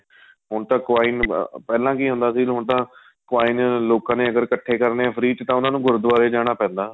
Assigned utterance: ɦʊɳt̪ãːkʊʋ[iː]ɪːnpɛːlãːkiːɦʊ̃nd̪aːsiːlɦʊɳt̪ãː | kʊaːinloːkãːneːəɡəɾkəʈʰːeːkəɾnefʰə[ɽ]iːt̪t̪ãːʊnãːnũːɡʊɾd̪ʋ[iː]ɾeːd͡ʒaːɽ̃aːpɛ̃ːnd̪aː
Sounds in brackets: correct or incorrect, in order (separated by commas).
incorrect, incorrect, incorrect